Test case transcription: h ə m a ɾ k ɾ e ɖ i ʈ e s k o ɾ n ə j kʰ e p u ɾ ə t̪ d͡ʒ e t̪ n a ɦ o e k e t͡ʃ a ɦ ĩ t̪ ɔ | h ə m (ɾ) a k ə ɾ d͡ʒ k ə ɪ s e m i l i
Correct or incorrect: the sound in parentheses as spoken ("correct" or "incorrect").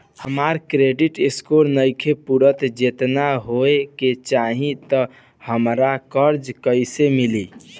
correct